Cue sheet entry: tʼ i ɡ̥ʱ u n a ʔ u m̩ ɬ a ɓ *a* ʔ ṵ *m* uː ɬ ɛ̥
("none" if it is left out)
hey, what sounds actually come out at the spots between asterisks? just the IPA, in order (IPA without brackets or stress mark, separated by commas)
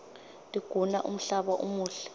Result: a, m